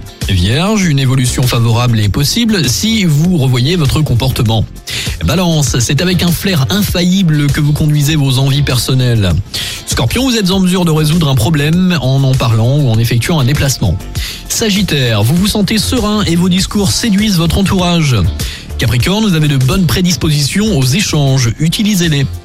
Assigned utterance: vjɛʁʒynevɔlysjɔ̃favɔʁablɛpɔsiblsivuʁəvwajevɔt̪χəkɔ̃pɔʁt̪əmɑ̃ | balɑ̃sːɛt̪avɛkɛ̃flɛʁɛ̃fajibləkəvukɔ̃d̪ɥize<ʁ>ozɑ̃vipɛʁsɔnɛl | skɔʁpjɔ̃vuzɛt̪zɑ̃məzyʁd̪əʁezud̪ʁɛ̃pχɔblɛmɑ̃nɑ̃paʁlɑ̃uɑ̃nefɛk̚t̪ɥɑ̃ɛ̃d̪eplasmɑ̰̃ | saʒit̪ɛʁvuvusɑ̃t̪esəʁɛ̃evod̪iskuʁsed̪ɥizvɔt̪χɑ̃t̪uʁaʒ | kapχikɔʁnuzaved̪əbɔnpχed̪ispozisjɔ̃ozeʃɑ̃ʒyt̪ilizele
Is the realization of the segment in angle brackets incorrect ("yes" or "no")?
yes